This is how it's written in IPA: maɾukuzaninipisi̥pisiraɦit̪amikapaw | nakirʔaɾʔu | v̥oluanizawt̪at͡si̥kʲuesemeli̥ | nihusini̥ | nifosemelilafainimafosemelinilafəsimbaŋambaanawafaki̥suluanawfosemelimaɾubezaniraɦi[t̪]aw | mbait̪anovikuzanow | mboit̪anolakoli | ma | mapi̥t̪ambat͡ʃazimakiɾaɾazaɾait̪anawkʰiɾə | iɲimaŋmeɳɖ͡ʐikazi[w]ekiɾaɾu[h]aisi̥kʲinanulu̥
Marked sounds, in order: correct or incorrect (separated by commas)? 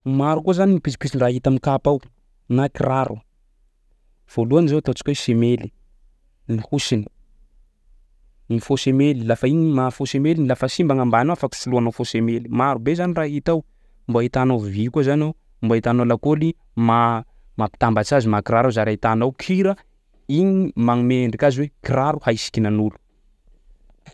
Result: correct, correct, correct